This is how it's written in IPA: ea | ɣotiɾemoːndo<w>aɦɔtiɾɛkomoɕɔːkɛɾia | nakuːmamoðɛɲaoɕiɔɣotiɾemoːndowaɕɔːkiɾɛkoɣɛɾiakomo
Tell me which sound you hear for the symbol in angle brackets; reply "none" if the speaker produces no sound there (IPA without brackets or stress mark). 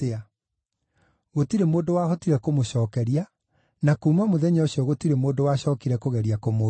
w